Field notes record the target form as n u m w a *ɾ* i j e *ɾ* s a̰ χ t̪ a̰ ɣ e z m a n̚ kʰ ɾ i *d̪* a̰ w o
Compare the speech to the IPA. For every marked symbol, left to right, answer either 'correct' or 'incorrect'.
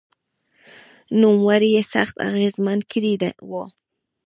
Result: correct, incorrect, correct

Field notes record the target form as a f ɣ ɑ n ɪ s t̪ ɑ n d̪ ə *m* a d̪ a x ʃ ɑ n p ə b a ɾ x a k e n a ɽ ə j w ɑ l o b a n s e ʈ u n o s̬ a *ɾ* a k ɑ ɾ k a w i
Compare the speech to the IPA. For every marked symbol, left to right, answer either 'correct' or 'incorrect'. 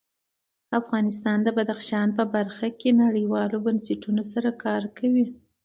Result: incorrect, correct

